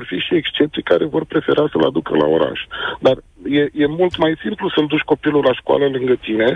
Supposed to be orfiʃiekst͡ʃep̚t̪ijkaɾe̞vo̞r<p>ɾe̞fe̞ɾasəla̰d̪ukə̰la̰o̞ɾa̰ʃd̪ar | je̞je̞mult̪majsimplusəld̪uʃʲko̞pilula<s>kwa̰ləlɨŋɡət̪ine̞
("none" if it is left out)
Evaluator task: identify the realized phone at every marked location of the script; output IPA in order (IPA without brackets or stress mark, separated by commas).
p, ʃ